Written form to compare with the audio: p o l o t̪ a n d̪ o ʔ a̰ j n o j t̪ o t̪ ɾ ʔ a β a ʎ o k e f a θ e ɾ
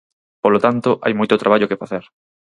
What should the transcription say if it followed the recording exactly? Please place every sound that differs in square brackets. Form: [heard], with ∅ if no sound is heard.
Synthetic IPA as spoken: p o l o t̪ a n [t̪] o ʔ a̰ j [m] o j t̪ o t̪ ɾ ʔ a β a ʎ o k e f a θ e ɾ